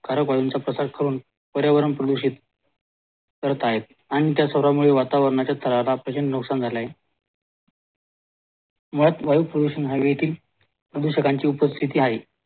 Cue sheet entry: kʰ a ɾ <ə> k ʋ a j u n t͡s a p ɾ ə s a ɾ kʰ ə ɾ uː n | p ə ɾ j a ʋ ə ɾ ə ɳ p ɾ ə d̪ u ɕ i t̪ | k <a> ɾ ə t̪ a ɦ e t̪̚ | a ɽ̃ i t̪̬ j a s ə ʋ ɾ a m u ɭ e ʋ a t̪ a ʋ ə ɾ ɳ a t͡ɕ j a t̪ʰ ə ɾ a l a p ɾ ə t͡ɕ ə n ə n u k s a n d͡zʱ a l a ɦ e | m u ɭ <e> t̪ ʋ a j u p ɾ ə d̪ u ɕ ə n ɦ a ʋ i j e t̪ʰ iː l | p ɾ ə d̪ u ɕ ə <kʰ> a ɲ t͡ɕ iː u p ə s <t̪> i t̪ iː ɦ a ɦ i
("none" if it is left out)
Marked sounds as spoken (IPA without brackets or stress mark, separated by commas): ə, ə, a, k, t̪ʰ